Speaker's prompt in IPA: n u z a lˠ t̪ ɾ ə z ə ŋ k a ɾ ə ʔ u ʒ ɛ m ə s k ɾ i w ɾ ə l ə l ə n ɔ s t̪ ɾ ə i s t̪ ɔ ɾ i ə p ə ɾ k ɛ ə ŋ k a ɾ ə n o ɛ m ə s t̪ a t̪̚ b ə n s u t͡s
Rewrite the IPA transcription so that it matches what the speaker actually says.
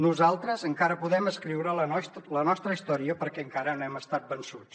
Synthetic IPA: n u z a lˠ t̪ ɾ ə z ə ŋ k a ɾ ə p u ð ɛ m ə s k ɾ i w ɾ ə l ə l ə n ɔ s t̪ ɾ ə i s t̪ ɔ ɾ i ə p ə ɾ k ɛ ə ŋ k a ɾ ə n o ɛ m ə s t̪ a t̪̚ b ə n s u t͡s